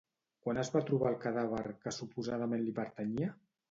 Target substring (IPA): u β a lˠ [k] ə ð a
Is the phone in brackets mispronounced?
no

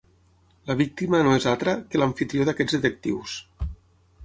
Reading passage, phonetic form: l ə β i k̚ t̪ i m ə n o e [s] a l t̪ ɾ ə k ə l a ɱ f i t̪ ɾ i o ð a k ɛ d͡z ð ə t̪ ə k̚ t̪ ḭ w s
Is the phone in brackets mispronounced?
yes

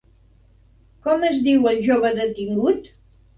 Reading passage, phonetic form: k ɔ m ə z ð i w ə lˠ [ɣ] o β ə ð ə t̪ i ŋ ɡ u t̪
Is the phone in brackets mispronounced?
yes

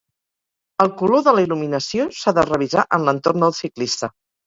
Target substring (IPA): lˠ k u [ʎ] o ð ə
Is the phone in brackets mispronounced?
yes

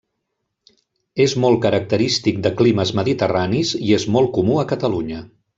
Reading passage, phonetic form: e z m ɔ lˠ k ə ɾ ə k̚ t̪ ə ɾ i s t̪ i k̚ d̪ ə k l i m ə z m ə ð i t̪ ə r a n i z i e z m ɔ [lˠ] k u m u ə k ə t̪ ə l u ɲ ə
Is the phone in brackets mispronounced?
no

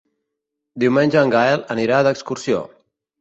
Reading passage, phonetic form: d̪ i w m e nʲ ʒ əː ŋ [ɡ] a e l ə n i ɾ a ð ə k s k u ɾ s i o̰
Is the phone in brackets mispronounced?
no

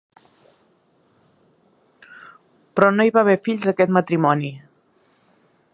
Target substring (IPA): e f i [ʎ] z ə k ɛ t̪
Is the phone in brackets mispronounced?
no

